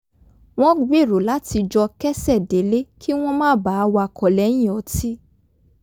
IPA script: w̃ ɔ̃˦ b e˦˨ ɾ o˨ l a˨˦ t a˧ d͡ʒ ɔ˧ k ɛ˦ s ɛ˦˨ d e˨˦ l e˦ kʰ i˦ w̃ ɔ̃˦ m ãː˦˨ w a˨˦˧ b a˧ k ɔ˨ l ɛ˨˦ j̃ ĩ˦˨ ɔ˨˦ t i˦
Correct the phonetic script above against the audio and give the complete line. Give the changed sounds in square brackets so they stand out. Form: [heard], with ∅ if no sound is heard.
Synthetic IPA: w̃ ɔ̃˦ [ɡ͡b] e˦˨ ɾ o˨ l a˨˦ t [i˧] d͡ʒ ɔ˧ k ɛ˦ s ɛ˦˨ d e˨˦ l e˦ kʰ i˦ w̃ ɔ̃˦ m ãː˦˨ [b] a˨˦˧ [w] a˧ k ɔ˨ l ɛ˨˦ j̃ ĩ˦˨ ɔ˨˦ t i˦